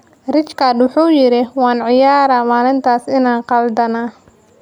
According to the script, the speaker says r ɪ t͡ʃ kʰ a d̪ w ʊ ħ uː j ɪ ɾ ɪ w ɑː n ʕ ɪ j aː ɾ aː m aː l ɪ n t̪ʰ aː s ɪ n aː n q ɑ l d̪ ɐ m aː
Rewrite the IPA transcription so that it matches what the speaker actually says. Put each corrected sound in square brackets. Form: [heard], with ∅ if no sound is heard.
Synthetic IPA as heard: r ɪ t͡ʃ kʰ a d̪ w ʊ ħ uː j ɪ ɾ ɪ w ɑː n ʕ ɪ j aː ɾ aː m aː l ɪ n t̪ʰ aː s ɪ n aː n q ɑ l d̪ ɐ [n] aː